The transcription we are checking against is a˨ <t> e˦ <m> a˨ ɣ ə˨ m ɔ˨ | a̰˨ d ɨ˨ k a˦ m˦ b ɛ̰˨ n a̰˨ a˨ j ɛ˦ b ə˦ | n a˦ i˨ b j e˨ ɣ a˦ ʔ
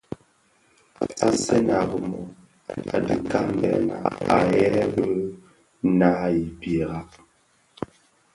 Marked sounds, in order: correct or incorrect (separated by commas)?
incorrect, incorrect